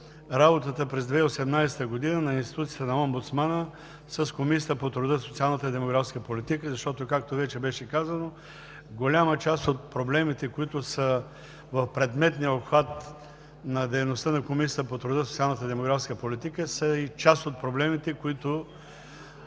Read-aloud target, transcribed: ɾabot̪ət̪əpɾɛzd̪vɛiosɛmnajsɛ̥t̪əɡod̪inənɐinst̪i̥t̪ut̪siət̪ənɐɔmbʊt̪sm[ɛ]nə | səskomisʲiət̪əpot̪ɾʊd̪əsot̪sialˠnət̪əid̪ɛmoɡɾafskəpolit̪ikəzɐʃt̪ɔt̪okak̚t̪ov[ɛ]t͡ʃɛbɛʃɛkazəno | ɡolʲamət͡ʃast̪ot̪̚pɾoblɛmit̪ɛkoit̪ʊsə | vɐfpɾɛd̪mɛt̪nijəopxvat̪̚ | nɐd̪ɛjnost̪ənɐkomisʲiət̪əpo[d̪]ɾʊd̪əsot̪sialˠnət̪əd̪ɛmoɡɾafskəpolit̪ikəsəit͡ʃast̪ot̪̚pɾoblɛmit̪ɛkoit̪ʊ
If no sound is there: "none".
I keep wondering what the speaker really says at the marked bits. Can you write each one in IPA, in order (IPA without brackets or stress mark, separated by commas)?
a, ɛ, t̪